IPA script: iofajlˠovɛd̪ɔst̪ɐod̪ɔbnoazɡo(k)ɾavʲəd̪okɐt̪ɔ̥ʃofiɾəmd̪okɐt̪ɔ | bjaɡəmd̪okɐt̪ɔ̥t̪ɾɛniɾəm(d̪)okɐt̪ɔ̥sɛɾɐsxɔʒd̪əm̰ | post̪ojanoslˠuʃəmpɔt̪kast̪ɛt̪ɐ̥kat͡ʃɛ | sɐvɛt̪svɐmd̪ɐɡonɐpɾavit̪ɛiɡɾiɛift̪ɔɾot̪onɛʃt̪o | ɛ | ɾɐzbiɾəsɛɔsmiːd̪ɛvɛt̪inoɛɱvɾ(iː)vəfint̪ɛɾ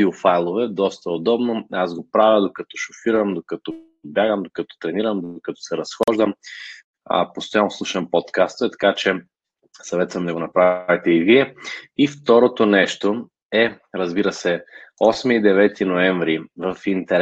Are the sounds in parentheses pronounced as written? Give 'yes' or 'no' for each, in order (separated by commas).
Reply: no, yes, no